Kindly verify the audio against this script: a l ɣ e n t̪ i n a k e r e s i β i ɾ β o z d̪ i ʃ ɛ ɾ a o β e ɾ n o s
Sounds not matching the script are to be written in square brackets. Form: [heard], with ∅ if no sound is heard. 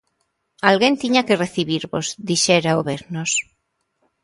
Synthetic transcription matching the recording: a l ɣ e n t̪ i [ɲ] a k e r e [θ] i β i ɾ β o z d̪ i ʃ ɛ ɾ a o β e ɾ n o s